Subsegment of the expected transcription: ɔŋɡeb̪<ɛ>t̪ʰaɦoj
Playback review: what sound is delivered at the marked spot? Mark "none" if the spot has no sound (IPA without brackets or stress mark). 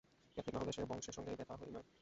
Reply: ɛ